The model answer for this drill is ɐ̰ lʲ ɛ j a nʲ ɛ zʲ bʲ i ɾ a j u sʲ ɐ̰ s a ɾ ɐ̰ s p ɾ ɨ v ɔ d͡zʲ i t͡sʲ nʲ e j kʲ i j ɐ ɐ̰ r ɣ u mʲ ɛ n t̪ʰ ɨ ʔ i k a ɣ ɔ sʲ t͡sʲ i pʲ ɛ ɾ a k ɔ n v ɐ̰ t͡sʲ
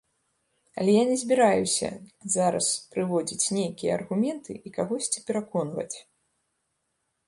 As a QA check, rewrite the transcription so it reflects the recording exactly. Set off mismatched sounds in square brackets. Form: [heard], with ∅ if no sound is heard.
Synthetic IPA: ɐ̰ lʲ ɛ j a nʲ ɛ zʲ bʲ i ɾ a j u sʲ ɐ̰ [z] a ɾ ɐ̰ s p ɾ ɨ v ɔ d͡zʲ i t͡sʲ nʲ e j kʲ i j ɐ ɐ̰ r ɣ u mʲ ɛ n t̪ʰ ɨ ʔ i k a ɣ ɔ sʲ t͡sʲ i pʲ ɛ ɾ a k ɔ n v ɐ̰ t͡sʲ